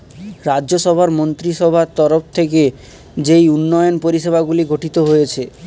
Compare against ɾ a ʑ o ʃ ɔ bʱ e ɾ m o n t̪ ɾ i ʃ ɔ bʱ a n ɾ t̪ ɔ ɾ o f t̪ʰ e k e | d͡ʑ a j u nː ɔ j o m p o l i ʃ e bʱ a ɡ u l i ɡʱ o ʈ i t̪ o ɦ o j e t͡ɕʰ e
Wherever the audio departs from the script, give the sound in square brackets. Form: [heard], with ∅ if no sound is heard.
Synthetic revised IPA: ɾ a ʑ o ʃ ɔ bʱ [a] ɾ m o n t̪ ɾ i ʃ ɔ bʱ a [∅] ɾ t̪ ɔ ɾ o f t̪ʰ e k e | d͡ʑ [e] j u nː ɔ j o [n] p o [ɾ] i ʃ e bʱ a ɡ u l i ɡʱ o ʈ i t̪ o ɦ o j e t͡ɕʰ e